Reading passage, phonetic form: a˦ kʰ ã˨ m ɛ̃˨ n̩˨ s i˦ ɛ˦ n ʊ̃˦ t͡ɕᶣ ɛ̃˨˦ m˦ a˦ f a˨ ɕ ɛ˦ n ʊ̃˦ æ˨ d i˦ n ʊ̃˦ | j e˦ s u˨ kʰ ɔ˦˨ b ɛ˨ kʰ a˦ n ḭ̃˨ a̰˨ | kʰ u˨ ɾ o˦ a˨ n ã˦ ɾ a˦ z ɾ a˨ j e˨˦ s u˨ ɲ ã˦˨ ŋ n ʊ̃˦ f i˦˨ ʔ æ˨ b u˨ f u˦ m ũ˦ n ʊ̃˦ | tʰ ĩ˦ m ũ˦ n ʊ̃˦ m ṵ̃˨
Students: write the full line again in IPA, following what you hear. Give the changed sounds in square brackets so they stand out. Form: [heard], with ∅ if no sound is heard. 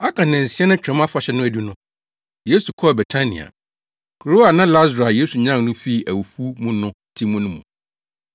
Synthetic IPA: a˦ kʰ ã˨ [n] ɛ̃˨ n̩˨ s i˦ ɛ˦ n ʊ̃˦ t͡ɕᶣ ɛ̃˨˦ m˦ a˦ f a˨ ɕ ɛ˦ n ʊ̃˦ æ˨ d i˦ n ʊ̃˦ | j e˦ s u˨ kʰ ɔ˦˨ b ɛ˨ [tʰ] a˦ n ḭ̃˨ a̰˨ | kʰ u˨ ɾ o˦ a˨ n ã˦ [l] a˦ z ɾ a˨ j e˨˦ s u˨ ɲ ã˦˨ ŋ n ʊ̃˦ f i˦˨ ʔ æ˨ [w] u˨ f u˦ m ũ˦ n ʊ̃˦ | tʰ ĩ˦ m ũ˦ n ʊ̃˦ m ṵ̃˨